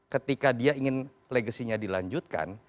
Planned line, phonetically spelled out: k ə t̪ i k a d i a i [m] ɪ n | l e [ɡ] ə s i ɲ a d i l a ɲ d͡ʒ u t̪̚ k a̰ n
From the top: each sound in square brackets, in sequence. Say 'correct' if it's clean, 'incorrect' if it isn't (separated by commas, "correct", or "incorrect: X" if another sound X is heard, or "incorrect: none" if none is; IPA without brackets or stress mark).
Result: incorrect: ŋ, correct